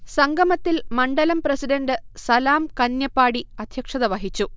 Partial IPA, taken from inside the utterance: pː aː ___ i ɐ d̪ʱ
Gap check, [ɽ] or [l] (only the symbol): ɽ